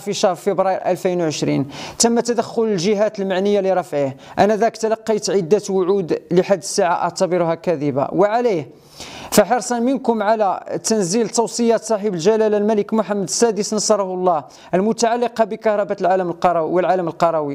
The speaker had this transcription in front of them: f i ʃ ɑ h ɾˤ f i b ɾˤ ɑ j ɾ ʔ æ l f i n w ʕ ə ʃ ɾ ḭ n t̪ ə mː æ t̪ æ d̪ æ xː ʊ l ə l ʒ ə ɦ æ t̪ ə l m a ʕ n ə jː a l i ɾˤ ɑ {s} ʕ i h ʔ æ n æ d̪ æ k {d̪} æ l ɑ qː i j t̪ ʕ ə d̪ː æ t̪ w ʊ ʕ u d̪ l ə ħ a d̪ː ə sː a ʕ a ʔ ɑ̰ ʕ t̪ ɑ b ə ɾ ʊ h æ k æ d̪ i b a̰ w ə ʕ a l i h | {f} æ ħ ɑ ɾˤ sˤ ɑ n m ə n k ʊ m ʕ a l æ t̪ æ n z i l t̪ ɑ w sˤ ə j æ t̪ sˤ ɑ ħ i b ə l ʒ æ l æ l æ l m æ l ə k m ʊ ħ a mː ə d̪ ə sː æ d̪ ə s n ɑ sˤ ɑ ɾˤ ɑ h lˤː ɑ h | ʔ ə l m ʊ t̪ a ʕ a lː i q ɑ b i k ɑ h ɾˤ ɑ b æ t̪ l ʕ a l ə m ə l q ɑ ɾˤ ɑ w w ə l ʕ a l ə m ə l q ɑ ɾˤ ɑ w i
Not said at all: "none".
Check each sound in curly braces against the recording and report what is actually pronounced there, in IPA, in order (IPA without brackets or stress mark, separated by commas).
f, t̪, f